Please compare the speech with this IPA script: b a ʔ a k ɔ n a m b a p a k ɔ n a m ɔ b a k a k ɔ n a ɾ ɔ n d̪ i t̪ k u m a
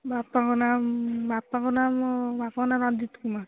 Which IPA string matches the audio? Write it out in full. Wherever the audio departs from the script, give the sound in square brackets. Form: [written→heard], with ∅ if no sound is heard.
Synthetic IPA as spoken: b a [ʔ→p] a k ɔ n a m b a p a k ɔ n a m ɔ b a [k→p] a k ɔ n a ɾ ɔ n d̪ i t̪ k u m a